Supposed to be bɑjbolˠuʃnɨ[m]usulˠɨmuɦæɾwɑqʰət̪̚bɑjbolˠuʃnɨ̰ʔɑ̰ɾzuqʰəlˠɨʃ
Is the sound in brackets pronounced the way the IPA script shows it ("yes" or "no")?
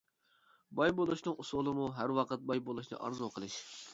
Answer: no